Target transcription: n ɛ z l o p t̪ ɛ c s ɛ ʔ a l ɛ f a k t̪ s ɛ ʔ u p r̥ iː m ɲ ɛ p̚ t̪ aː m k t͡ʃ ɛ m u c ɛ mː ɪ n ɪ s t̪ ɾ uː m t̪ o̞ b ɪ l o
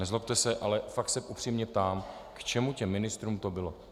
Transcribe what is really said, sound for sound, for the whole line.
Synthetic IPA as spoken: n ɛ z l o p t̪ ɛ s ɛ ʔ a l ɛ f a k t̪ s ɛ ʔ u p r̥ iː m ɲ ɛ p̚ t̪ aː m k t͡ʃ ɛ m u c ɛ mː ɪ n ɪ s t̪ ɾ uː m t̪ o̞ b ɪ l o